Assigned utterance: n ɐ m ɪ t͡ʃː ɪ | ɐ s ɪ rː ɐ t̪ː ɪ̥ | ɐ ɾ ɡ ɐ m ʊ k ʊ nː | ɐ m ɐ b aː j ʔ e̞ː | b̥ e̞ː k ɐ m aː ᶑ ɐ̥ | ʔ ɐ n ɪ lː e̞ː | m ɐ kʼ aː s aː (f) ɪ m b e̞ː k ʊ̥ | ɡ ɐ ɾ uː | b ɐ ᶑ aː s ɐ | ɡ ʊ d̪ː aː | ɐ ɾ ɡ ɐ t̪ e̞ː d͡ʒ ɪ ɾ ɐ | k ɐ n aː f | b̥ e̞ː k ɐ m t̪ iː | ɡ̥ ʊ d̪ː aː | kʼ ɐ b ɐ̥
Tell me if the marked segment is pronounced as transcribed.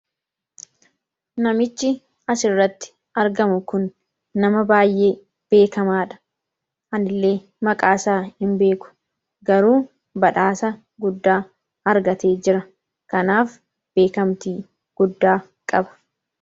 no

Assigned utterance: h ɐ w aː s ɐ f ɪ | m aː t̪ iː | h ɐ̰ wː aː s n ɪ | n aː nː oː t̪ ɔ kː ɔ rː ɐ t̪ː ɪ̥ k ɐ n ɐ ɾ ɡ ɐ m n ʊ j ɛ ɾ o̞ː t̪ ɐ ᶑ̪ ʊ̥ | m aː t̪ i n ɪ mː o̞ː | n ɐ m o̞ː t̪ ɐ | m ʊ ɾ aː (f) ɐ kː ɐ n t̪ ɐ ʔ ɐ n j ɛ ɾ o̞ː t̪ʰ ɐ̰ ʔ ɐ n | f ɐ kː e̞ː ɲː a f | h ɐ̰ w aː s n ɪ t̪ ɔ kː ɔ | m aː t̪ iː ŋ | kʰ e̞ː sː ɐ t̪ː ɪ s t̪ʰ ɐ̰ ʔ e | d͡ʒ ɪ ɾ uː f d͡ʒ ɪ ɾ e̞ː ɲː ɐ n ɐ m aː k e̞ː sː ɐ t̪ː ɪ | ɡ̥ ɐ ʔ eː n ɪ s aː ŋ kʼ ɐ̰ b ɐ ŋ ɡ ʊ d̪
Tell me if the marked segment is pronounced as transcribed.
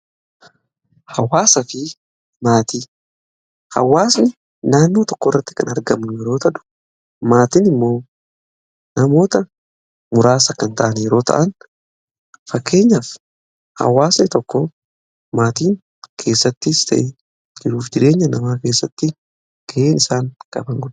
no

